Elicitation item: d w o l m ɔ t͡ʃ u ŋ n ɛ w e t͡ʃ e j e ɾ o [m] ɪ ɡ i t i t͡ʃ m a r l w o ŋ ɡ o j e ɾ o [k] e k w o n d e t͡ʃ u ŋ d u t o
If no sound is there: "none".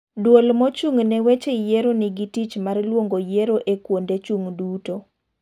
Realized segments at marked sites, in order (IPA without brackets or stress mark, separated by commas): n, ʔ